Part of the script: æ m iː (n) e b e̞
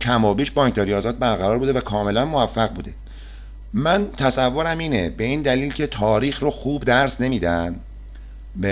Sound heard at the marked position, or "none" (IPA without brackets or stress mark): n